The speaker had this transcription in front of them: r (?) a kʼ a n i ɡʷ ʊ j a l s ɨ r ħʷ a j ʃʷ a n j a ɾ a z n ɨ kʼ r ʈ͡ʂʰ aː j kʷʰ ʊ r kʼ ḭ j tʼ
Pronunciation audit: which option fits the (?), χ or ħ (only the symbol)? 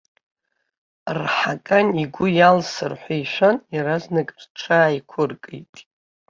ħ